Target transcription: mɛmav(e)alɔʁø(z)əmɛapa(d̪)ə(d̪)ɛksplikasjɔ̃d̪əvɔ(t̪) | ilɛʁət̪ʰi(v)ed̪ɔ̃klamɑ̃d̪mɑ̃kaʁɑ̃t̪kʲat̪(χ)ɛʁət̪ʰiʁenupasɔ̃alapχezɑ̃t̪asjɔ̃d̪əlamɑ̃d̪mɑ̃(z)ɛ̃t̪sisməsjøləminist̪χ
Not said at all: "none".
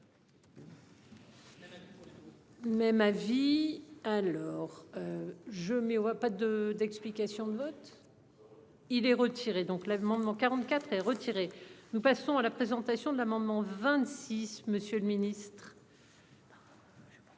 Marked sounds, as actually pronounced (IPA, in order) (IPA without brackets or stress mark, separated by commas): i, ʒ, d̪, d̪, t̪, ʁ, χ, v